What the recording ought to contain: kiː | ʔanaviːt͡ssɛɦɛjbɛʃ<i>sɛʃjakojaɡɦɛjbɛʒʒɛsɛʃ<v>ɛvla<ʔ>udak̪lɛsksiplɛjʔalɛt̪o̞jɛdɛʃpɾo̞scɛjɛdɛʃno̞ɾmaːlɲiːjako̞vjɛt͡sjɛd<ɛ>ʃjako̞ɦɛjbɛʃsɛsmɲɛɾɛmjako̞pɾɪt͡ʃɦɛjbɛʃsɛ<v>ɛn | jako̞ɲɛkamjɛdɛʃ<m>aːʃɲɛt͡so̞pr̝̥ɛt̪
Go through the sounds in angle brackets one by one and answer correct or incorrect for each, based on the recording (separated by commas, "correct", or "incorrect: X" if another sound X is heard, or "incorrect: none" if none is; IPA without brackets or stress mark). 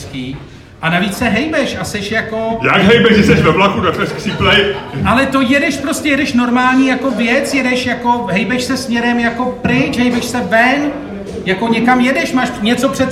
incorrect: a, correct, incorrect: k, correct, correct, correct